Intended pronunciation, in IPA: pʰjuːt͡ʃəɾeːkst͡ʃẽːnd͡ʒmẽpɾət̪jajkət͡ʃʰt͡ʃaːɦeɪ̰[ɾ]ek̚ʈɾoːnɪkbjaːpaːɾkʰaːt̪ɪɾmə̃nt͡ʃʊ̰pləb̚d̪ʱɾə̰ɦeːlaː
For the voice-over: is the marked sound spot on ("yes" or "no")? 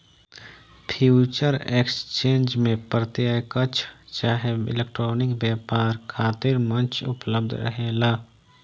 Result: no